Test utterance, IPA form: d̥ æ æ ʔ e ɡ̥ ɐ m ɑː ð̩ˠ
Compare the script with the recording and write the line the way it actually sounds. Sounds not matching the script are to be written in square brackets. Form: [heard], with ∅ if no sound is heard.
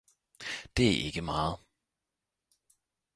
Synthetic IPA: d̥ [e] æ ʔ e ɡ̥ [ə] m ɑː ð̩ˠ

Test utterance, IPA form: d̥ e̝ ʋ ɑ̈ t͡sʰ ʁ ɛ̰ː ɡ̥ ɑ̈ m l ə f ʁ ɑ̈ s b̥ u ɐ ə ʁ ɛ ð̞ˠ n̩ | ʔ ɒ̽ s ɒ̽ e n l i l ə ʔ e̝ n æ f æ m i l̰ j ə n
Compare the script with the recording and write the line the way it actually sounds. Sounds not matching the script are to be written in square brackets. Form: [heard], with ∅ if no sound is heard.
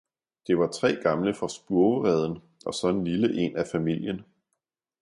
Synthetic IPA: d̥ e̝ ʋ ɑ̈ t͡sʰ ʁ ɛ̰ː ɡ̥ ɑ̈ m l ə f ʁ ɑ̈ s b̥ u ɐ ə ʁ ɛ ð̞ˠ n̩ | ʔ ɒ̽ s ɒ̽ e n l i l ə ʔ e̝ n æ f æ m i l̰ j ə n

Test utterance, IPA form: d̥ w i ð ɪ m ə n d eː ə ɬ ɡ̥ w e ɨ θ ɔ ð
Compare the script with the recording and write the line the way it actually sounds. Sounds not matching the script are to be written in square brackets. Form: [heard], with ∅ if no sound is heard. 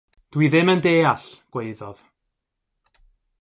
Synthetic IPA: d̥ w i ð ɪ m ə n d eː [a] ɬ ɡ̥ w e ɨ [ð] ɔ ð

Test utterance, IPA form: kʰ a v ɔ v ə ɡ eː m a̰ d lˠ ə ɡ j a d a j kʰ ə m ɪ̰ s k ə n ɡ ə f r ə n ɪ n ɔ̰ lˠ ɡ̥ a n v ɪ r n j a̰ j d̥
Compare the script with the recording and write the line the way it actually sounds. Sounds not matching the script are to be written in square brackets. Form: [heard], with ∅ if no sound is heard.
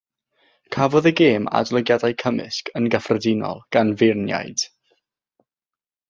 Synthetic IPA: kʰ a v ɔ [ð] ə ɡ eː m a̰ d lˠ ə ɡ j a d a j kʰ ə m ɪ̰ s k ə n ɡ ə f r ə [d] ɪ n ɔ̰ lˠ ɡ̥ a n v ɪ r n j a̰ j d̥

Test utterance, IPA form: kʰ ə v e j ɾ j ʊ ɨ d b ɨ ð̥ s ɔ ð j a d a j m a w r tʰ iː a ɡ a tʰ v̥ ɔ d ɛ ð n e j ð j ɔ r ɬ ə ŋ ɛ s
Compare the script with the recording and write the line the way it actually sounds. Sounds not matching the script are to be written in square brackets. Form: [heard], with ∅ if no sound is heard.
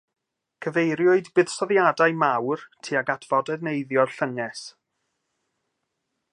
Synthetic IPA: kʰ ə v e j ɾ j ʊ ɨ d b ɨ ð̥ s ɔ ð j a d a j m a w r tʰ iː a ɡ a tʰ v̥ ɔ d ɛ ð n e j ð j ɔ r ɬ ə ŋ ɛ s

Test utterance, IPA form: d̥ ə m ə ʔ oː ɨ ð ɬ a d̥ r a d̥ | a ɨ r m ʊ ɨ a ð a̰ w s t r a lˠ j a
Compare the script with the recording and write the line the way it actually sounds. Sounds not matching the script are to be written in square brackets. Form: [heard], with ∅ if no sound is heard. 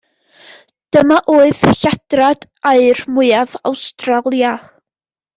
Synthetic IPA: d̥ ə m [a] ʔ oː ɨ ð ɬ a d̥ r a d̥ | a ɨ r m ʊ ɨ a [v] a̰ w s t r a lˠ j a

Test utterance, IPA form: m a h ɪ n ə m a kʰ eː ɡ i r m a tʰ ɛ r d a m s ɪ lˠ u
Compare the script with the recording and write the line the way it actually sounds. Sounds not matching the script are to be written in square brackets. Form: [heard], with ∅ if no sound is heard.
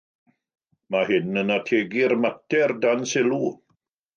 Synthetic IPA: m a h ɪ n ə [n] a [tʰ] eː ɡ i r m a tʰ ɛ r d a [n] s ɪ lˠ u

